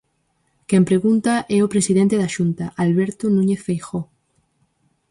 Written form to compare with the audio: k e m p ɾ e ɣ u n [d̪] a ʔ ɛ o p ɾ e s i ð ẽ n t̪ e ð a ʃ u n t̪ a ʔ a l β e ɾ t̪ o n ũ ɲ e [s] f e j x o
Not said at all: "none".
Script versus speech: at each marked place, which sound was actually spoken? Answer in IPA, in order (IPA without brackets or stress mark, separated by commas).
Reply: t̪, θ